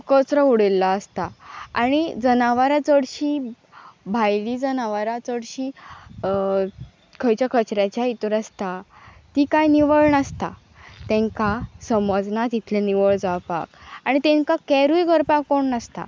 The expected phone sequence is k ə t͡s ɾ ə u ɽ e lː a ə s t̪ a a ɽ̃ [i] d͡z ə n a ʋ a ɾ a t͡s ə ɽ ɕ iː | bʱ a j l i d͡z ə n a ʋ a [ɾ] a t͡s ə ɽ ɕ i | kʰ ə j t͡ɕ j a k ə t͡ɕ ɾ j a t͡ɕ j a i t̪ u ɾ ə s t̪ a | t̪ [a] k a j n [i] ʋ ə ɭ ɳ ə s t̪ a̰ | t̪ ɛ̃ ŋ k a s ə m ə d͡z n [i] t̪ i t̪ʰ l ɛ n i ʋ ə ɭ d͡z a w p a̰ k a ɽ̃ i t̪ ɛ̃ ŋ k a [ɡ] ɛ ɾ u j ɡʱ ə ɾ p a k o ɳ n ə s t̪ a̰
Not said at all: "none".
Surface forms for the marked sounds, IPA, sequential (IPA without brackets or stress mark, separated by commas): i, ɾ, i, i, a, k